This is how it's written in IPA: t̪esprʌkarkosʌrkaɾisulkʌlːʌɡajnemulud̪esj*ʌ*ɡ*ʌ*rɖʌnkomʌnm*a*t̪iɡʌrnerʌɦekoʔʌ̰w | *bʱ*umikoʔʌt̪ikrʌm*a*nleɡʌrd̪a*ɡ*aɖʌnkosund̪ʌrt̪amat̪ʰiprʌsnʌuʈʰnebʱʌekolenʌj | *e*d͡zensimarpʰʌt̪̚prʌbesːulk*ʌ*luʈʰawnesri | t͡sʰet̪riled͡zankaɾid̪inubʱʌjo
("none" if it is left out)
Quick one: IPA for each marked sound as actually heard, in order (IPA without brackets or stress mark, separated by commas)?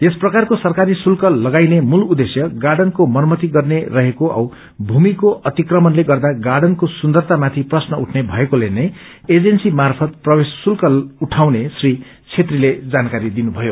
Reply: ʌ, a, ʌ, bʱ, ʌ, ɡ, e, ʌ